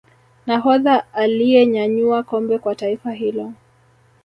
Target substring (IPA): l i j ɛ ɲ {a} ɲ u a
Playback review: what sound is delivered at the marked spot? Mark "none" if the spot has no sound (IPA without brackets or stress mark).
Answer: a